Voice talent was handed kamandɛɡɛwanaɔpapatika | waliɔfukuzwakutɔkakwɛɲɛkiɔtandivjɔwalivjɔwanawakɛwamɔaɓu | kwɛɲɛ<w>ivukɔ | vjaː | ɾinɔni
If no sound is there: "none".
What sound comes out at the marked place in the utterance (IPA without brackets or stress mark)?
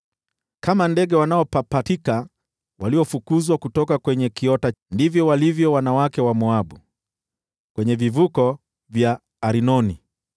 v